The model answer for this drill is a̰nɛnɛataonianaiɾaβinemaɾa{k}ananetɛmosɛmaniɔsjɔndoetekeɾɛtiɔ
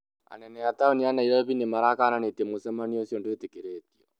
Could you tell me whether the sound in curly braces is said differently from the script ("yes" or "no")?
no